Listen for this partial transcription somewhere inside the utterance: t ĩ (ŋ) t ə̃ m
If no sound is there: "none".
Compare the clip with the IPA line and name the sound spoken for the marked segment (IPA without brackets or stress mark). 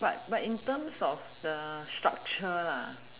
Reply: n